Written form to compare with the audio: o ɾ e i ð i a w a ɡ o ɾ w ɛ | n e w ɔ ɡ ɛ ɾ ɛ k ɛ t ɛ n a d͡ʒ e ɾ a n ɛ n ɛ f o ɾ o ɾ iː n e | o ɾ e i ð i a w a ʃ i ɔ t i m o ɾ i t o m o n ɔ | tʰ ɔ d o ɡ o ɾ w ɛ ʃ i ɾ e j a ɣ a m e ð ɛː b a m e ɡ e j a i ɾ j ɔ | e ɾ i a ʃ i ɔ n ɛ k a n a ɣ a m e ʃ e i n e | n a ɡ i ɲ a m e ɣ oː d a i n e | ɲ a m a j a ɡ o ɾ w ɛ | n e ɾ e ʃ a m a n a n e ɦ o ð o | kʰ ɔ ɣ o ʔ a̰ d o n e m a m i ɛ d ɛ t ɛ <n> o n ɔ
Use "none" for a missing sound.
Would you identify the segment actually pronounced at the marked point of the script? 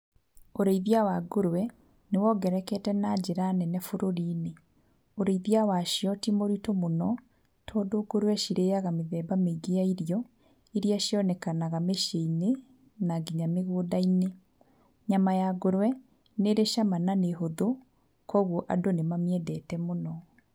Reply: m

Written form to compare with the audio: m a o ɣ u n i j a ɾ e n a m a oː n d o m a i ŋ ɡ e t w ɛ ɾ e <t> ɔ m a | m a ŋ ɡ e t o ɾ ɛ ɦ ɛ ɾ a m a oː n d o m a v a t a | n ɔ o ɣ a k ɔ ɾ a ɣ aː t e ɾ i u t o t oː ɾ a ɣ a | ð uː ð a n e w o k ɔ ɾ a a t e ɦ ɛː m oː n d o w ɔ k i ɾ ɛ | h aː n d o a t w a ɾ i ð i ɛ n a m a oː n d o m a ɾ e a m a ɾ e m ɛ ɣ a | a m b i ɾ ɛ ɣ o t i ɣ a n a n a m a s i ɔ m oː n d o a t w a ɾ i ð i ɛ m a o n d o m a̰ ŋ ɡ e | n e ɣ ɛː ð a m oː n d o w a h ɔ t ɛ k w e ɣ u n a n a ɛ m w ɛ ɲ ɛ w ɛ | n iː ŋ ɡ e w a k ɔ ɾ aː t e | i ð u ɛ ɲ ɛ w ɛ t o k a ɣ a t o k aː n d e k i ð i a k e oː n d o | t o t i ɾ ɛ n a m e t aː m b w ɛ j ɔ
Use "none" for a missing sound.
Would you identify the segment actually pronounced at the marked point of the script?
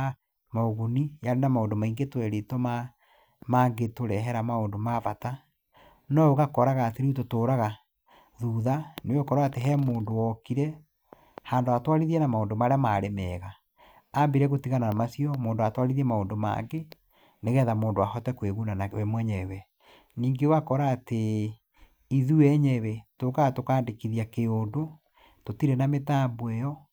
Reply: t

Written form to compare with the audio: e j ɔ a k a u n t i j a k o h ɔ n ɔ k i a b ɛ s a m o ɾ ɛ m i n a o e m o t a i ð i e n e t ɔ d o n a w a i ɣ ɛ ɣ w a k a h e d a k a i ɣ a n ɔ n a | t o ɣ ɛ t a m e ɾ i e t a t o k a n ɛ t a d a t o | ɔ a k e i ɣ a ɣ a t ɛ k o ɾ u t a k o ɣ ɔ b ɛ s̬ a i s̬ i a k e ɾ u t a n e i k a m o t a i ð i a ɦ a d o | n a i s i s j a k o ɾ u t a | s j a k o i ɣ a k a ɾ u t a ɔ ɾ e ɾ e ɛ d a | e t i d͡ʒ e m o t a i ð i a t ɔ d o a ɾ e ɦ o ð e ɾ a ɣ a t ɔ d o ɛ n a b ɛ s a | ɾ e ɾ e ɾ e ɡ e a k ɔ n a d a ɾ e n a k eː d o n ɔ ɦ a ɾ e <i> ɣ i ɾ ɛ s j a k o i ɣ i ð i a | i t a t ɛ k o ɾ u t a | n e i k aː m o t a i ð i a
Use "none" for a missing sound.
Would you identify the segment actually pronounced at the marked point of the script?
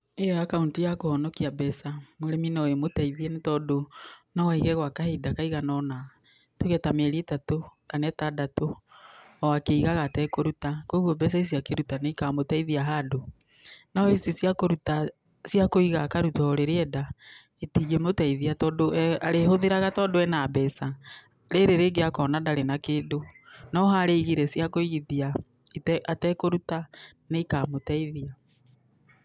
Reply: i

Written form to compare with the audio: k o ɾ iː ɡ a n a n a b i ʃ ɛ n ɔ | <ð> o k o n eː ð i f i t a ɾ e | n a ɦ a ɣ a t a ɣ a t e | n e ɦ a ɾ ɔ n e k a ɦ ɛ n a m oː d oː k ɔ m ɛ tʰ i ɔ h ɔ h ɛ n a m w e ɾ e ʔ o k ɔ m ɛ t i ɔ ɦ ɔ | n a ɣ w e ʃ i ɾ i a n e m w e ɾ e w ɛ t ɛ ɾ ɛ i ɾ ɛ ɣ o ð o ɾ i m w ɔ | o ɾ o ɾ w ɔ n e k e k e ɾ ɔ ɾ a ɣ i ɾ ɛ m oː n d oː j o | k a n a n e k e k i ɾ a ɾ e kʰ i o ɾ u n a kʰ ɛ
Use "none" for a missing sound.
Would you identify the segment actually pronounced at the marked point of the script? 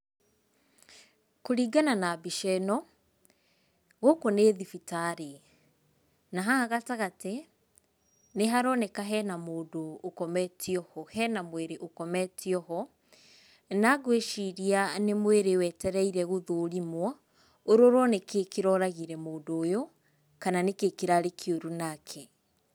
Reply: ɣ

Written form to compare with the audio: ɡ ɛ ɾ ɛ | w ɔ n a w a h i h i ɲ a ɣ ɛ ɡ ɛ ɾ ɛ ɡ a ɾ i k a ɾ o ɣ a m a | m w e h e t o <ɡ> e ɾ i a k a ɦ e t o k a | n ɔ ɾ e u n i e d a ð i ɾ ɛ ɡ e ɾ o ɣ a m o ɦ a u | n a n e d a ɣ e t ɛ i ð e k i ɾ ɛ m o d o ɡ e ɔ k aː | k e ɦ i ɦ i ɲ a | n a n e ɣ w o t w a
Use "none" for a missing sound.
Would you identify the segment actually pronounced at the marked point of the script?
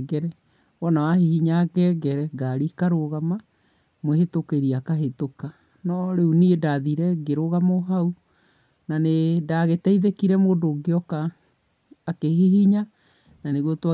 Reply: k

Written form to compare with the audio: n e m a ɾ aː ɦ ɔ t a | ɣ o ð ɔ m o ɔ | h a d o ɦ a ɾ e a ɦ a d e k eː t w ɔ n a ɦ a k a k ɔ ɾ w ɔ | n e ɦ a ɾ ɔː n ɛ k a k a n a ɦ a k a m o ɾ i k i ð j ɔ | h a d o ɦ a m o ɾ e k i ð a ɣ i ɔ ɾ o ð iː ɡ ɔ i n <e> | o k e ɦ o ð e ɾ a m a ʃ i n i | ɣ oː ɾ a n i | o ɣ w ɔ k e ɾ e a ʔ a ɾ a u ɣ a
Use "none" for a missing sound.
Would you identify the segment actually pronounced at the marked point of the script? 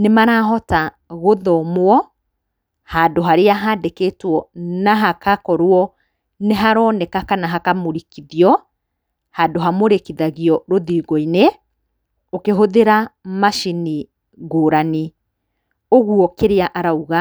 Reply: e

